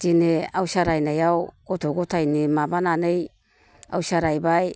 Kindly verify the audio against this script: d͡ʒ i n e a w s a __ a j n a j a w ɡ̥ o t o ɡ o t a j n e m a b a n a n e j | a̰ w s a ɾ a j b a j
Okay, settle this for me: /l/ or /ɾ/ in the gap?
ɾ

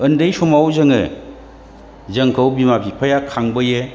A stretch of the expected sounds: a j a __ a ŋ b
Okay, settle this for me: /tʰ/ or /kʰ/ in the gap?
kʰ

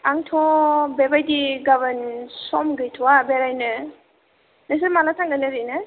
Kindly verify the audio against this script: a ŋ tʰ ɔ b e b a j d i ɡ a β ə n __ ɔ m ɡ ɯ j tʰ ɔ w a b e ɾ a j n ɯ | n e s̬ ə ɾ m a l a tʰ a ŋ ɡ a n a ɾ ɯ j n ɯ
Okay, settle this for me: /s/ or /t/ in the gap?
s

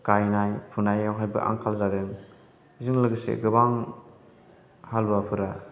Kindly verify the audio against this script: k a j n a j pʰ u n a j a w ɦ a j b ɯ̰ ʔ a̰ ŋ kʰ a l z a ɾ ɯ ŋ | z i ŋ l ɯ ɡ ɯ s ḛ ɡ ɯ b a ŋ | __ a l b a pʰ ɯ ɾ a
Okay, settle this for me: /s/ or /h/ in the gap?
h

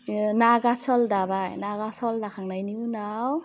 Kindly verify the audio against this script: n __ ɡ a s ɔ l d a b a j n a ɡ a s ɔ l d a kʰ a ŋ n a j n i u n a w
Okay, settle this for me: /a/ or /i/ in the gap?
a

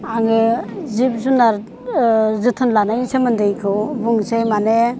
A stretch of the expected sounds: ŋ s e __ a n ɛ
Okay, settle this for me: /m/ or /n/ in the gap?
m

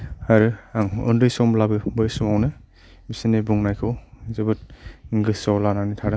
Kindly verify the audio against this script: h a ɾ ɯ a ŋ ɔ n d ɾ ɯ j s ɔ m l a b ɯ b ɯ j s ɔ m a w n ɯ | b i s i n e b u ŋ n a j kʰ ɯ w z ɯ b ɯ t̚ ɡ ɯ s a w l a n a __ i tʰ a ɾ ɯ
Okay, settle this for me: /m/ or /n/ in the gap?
n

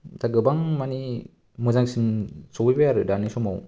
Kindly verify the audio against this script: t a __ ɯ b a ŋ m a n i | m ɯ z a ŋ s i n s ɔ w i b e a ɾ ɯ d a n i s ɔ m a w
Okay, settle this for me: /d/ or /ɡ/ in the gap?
ɡ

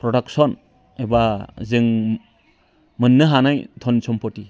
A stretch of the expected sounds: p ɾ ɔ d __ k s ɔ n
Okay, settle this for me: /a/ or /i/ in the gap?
a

